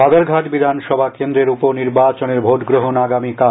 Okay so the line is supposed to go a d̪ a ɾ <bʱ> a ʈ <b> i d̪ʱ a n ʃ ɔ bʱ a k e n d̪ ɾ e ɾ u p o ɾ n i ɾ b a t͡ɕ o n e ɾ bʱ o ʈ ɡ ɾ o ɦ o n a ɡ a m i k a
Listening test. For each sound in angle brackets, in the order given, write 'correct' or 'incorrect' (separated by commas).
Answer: incorrect, correct